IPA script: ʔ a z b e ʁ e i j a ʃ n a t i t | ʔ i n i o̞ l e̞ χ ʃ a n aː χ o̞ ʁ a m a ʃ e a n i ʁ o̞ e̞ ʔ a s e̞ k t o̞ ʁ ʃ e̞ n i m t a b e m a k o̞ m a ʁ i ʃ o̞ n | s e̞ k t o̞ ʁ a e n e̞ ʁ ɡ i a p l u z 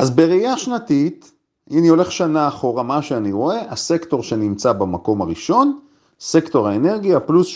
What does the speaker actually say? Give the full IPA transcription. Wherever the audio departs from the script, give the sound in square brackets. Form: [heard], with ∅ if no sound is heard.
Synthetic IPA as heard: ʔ a z b e ʁ e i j a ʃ n a t i t | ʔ i n i o̞ l e̞ χ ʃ a n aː χ o̞ ʁ a m a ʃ e a n i ʁ o̞ e̞ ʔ a s e̞ k t o̞ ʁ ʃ e̞ n i m [t͡s] a b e m a k o̞ m a ʁ i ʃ o̞ n | s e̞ k t o̞ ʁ a e n e̞ ʁ ɡ i a p l u [s]